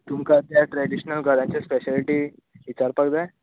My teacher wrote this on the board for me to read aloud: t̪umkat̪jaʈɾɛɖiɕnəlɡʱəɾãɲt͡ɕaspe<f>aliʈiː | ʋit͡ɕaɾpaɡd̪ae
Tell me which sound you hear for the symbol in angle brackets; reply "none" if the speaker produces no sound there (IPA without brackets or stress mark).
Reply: ɕ